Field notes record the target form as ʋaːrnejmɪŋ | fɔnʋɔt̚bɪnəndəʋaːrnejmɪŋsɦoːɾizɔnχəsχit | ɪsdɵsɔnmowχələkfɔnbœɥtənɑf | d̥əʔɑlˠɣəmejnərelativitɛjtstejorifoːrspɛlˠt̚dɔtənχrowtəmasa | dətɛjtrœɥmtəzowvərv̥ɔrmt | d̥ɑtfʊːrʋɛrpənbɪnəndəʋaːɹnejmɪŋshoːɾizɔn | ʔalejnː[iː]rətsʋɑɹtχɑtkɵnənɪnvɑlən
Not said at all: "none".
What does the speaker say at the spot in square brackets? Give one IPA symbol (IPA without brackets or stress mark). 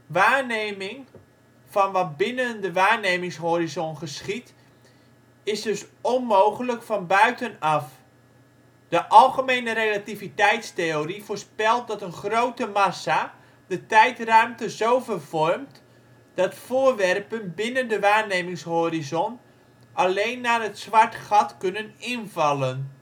aː